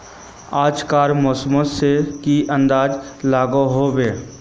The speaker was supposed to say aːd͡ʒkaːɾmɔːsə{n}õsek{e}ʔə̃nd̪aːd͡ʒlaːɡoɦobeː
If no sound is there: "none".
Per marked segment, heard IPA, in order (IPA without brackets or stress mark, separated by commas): m, i